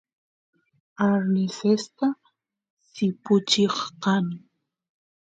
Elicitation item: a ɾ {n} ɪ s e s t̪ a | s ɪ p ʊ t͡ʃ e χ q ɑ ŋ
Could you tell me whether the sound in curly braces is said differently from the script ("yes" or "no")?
no